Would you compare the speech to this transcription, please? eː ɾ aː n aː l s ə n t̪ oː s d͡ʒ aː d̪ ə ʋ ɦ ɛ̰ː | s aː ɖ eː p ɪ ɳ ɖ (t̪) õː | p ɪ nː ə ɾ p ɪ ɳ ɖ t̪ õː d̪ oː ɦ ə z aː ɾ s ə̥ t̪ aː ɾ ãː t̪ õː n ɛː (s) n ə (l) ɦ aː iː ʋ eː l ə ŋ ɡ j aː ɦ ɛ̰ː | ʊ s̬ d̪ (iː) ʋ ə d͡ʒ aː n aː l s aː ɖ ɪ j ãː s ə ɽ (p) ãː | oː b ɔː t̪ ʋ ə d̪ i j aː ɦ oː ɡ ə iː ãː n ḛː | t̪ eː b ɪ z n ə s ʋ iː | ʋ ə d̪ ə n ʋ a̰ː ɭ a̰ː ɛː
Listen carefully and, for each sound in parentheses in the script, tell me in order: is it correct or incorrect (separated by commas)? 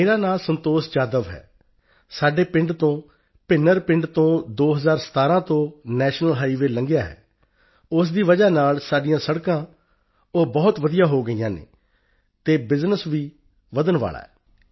correct, incorrect, correct, correct, incorrect